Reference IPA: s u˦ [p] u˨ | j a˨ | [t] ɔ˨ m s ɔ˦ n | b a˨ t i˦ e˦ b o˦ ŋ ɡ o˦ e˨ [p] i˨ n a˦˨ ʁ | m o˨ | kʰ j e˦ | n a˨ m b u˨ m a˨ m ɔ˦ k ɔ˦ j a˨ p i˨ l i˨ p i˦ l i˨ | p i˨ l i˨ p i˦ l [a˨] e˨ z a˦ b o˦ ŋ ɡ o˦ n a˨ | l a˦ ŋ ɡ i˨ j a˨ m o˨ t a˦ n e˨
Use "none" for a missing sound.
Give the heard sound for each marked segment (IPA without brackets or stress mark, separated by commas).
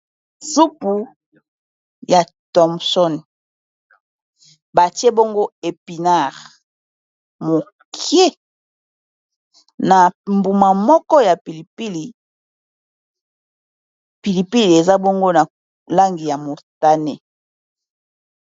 p, t, p, i˨